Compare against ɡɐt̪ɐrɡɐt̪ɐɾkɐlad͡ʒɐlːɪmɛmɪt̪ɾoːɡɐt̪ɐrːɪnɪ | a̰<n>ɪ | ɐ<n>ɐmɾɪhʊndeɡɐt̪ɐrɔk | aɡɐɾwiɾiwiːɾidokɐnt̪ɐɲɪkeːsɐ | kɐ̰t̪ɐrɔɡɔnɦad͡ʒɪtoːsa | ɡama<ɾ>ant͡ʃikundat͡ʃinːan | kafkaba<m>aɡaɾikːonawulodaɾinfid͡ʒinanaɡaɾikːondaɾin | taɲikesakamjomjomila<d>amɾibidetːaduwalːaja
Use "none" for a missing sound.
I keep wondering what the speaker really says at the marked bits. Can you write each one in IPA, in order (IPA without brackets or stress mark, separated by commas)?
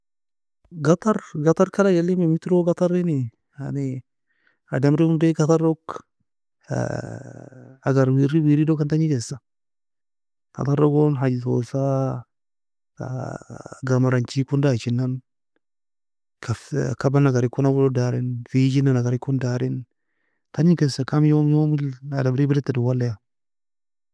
n, d, ɾ, n, d